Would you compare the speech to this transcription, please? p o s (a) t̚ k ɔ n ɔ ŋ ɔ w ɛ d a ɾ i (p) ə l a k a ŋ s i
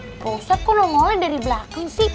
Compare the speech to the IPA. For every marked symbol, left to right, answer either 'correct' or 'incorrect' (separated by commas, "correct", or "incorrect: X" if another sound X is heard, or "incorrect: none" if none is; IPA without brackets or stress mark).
correct, incorrect: b